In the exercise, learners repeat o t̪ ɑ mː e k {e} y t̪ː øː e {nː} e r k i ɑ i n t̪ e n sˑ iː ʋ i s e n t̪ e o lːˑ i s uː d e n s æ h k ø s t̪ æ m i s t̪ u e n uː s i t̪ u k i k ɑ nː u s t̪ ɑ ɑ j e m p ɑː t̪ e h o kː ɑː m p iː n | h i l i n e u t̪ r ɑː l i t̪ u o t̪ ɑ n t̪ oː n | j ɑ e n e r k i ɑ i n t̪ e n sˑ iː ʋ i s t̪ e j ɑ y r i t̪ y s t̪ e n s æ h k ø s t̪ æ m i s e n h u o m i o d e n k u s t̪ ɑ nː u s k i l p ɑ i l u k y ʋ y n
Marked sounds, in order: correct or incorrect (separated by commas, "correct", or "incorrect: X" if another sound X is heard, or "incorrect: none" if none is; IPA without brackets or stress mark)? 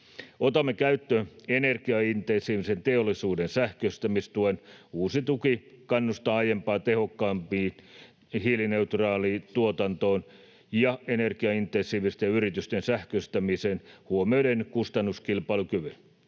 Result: incorrect: æ, incorrect: n